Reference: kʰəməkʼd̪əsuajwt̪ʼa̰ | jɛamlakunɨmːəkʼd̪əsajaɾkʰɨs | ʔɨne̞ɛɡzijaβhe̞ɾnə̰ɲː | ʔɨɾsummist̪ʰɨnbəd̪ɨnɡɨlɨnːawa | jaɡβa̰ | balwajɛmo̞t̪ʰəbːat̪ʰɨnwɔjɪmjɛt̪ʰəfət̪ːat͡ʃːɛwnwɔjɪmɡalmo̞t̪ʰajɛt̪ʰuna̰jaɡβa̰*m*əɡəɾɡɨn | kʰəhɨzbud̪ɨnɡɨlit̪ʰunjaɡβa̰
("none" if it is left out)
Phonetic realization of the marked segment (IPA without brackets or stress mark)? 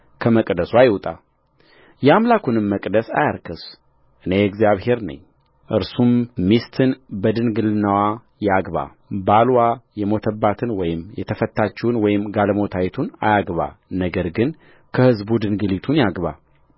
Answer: n